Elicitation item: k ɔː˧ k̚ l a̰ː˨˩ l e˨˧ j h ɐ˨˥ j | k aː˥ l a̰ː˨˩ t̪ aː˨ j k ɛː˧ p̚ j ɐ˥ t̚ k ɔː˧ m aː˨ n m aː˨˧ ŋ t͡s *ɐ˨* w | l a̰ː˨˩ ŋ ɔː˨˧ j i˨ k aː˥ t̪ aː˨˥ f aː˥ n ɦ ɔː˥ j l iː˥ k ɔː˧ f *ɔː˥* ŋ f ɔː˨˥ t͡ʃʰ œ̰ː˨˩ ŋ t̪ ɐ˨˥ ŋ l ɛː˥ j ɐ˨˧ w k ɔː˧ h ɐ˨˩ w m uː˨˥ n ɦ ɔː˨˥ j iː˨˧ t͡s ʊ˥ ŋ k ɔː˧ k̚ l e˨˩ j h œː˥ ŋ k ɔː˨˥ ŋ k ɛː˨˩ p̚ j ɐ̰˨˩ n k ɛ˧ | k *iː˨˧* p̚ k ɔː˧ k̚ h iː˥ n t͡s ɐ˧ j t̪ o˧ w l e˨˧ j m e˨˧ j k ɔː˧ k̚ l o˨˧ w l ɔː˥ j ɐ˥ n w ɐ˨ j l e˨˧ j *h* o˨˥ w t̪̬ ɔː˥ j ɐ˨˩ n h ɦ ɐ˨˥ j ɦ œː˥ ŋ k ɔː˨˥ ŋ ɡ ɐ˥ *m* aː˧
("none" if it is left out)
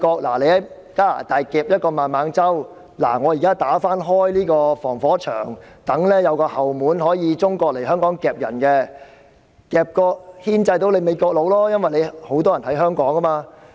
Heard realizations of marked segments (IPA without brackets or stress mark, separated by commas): ɐ˥, ɔː˨˩, ɛː˨˧, h, m